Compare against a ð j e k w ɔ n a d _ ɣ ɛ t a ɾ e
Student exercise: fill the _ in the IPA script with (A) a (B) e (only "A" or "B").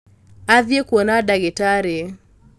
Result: A